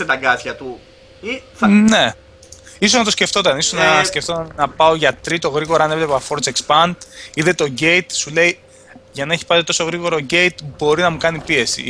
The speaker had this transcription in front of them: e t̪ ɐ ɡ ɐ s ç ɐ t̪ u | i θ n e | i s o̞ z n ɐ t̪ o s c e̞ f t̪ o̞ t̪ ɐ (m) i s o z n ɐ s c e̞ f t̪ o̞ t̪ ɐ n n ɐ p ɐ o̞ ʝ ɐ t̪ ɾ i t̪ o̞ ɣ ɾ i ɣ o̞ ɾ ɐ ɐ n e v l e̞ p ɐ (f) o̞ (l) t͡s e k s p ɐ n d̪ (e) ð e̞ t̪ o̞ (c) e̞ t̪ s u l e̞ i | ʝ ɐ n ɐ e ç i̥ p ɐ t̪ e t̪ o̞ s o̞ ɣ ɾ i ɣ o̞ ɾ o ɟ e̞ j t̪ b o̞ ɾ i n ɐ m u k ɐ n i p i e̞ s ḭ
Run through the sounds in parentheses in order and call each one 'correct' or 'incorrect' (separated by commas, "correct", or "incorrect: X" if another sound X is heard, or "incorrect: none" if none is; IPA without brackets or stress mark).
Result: incorrect: n, correct, incorrect: ɾ, incorrect: i, incorrect: ɟ